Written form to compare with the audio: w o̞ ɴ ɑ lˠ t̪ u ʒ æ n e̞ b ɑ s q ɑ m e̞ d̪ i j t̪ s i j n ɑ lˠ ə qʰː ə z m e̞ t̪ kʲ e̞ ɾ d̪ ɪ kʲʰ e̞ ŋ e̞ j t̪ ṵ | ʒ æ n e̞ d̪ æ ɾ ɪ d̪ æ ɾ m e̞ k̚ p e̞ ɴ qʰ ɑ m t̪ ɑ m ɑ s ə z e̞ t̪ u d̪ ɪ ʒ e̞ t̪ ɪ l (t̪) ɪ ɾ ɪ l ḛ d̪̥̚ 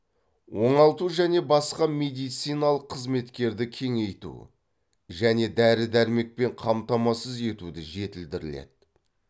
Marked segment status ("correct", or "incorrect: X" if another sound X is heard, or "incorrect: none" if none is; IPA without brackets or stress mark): incorrect: d̪